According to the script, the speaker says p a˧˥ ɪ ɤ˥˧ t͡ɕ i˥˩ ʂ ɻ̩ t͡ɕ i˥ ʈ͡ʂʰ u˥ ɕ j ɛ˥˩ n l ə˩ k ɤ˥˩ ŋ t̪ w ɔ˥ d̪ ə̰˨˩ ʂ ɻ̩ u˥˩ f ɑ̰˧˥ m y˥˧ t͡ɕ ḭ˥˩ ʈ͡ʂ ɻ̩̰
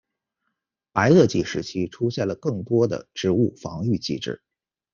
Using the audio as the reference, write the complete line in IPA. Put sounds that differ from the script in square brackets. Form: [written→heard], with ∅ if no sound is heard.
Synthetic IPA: p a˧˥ ɪ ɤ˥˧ t͡ɕ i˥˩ ʂ ɻ̩ [t͡ɕ→t͡ɕʰ] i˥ ʈ͡ʂʰ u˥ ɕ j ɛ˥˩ n l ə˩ k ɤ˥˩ ŋ t̪ w ɔ˥ d̪ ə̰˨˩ [ʂ→ʈ͡ʂ] ɻ̩ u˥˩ f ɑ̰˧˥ [m→ŋ] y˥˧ t͡ɕ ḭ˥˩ ʈ͡ʂ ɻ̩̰